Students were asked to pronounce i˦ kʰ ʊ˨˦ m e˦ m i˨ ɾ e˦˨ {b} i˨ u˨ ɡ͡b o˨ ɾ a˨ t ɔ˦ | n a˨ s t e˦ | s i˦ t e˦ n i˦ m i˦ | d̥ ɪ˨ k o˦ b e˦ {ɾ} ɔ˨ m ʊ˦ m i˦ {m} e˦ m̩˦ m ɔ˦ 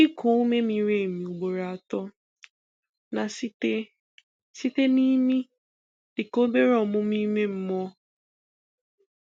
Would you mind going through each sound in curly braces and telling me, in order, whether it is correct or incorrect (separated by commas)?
incorrect, correct, correct